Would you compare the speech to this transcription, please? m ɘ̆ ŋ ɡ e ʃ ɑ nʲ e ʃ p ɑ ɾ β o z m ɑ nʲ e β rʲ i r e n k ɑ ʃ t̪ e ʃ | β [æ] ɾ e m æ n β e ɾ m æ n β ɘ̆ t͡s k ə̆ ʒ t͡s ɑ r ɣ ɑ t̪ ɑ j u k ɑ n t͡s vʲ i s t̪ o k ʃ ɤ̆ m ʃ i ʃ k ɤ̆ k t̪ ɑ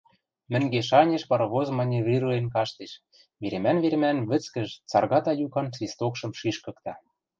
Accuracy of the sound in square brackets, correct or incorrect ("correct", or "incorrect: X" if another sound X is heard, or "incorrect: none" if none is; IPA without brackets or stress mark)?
incorrect: e